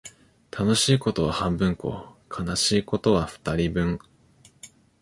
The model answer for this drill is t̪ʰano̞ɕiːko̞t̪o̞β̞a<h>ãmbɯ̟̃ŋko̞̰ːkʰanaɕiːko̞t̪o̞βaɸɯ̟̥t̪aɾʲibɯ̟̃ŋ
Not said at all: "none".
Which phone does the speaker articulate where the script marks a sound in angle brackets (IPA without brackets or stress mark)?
h